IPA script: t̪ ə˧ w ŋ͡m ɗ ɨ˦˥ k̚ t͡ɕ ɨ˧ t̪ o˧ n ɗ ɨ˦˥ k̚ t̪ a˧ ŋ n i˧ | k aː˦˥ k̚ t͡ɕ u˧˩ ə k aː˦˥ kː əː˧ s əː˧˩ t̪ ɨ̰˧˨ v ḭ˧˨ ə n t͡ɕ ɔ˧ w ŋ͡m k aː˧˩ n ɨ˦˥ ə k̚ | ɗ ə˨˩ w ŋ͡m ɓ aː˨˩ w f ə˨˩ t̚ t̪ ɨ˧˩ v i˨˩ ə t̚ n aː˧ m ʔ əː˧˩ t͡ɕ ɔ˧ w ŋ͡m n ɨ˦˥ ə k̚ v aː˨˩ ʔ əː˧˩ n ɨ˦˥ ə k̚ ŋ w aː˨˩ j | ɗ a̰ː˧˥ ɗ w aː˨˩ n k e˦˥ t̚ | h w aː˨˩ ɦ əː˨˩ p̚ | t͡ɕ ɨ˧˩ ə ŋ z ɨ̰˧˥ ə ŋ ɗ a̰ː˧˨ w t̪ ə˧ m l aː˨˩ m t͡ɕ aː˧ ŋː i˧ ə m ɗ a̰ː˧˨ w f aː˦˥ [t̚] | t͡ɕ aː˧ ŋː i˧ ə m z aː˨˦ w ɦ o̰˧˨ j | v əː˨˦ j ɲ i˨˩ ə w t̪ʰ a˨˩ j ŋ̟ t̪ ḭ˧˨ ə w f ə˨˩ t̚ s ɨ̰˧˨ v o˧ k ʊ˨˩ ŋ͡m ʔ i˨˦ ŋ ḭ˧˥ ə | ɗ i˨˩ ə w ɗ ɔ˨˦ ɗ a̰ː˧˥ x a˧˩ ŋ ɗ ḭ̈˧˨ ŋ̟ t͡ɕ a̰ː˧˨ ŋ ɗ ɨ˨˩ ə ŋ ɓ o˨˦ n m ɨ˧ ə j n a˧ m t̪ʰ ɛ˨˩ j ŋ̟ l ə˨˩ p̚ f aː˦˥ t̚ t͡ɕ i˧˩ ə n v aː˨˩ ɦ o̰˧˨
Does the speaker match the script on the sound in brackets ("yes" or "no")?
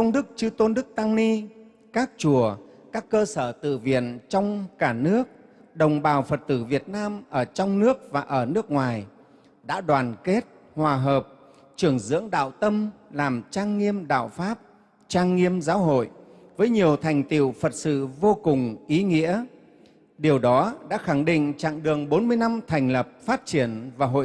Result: no